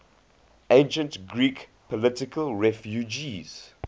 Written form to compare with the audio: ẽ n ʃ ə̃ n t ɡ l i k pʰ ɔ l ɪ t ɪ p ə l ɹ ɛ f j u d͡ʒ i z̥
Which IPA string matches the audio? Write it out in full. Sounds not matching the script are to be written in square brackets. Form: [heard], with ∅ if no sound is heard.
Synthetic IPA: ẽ n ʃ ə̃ n t ɡ [ɹ] i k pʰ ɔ l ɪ t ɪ [k] ə l ɹ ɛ f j u d͡ʒ i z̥

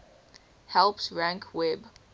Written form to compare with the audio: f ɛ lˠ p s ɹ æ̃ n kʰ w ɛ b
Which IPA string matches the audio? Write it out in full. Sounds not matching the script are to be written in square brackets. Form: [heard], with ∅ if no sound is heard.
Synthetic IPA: [h] ɛ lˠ p s ɹ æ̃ [ŋ] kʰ w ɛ b

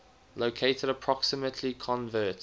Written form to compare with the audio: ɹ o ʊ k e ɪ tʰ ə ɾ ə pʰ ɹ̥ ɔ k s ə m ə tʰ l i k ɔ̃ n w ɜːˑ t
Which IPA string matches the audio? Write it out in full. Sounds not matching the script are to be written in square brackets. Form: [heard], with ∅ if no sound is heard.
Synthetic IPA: [l] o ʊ [kʰ] e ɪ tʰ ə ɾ ə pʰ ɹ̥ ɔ k s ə m ə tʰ l i [kʰ] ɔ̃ n [v] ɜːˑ t

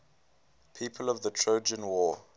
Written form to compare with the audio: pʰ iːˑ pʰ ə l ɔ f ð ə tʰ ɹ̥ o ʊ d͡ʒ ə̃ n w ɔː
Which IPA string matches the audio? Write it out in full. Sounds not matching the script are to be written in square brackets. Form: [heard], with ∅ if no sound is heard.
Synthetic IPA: pʰ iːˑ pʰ ə l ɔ [v] ð ə tʰ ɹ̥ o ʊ d͡ʒ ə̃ n w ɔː

